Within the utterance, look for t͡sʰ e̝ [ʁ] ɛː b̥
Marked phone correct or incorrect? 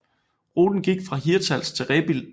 correct